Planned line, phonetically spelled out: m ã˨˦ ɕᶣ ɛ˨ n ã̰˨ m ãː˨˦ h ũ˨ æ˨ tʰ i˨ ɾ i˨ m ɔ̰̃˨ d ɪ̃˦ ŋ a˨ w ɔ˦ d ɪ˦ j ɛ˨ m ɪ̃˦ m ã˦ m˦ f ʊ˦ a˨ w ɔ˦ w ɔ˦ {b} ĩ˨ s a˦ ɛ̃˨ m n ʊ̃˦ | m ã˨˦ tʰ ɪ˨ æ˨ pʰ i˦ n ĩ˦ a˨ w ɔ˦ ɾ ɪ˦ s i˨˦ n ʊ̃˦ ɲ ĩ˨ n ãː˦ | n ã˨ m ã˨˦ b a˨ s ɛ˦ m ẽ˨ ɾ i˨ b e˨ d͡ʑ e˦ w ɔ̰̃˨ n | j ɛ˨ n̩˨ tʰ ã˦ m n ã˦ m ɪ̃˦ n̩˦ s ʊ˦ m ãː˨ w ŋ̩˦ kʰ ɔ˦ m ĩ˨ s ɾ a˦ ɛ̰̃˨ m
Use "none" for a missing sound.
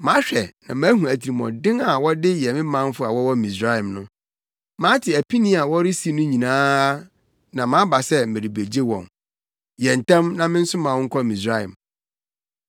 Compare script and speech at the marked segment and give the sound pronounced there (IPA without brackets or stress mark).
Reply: m